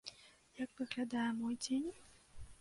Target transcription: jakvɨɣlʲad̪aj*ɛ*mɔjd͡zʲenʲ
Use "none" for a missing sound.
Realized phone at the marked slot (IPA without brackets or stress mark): ɛ